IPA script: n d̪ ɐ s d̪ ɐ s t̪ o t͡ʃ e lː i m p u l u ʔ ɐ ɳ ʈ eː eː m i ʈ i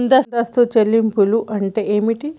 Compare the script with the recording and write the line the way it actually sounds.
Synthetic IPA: n d̪ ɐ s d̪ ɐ s t̪ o t͡ʃ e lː i m p u l u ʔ ɐ ɳ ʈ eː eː m i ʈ i